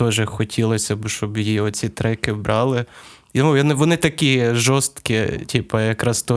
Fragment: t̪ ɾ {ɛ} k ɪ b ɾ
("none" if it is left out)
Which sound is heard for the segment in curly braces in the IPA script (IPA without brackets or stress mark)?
ɛ